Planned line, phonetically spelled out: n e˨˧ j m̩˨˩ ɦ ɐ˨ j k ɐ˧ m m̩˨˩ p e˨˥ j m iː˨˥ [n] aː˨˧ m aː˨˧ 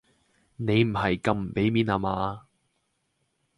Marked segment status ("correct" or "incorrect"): correct